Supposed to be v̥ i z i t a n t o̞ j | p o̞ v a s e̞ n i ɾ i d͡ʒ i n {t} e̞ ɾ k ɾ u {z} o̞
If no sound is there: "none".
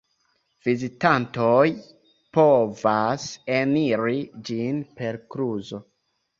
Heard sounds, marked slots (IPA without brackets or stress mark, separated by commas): p, z